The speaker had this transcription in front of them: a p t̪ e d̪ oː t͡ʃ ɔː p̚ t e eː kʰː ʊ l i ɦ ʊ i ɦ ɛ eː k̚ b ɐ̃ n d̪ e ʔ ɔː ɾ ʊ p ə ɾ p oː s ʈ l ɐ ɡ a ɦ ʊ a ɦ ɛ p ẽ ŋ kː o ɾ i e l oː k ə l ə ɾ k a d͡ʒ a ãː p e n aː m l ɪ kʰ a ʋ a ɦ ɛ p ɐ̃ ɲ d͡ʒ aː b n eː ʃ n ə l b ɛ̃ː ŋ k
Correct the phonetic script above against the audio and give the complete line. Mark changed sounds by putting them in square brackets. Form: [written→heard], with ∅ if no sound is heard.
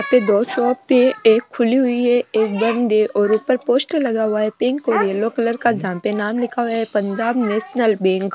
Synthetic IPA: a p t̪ e d̪ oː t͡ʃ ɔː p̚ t e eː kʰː ʊ l i ɦ ʊ i ɦ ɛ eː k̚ b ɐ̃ n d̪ e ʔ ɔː ɾ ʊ p ə ɾ p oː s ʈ l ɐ ɡ a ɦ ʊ a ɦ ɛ p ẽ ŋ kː o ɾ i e l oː k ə l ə ɾ k a d͡ʒ a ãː p e n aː m l ɪ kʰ a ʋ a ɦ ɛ p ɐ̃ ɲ d͡ʒ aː b n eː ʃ n ə l b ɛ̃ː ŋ k